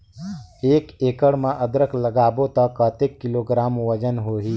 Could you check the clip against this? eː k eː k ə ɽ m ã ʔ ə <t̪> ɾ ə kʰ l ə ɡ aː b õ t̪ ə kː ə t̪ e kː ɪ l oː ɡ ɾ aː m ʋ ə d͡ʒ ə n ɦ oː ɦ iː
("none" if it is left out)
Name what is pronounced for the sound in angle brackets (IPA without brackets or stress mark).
d̪